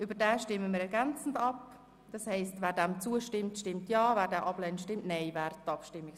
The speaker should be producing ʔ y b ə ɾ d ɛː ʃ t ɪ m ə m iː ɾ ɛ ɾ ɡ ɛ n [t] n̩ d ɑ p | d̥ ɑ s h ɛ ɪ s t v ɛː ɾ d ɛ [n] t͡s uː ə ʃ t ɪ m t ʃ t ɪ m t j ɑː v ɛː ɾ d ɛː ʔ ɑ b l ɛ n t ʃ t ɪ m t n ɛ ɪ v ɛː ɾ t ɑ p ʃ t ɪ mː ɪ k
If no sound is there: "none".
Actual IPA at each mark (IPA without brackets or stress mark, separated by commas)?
t͡s, m